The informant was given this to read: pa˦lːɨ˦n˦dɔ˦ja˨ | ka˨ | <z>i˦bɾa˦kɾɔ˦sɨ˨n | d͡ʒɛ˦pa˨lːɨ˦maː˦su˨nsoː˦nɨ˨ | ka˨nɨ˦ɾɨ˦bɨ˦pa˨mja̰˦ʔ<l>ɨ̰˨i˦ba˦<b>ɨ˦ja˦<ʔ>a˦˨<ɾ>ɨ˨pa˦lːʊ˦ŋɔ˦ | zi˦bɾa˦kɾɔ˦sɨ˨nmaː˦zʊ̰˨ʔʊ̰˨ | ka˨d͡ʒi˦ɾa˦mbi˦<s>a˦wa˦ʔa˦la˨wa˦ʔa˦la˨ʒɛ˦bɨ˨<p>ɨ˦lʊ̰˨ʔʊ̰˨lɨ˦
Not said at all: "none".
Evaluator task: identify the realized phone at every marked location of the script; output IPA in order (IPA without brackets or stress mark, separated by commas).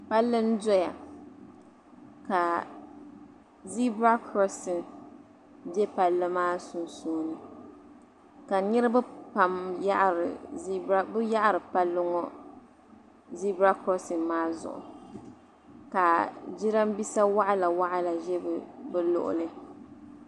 z, ɾ, b, ʔ, ɾ, s, b